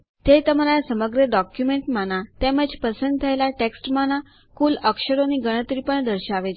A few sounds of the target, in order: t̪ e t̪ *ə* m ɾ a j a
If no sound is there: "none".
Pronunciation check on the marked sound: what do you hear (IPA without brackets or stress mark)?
ə